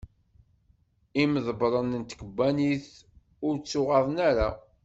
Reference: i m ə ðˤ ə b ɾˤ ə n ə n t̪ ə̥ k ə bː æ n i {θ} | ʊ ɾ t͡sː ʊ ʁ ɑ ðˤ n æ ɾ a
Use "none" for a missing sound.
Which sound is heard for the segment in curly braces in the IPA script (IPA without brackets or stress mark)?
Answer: θ